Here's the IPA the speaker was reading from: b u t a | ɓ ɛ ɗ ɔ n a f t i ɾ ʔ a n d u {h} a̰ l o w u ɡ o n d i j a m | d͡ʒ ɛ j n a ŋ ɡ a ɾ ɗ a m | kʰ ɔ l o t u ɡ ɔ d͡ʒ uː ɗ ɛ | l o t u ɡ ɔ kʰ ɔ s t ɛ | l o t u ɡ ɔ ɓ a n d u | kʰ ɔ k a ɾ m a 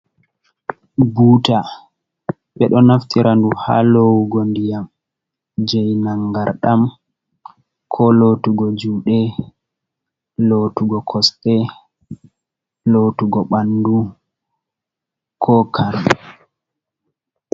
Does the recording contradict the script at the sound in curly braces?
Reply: no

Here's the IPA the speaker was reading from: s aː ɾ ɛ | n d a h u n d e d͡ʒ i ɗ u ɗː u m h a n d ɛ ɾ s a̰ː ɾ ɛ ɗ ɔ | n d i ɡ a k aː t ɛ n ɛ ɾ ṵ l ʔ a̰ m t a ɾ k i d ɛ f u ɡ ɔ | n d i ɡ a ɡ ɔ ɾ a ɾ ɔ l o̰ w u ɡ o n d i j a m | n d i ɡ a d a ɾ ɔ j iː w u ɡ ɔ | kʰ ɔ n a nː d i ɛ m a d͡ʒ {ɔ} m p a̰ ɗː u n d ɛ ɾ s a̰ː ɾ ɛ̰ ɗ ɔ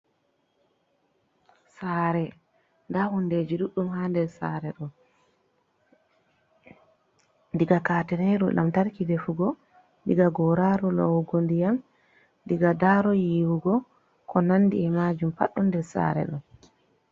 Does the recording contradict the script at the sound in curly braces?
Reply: yes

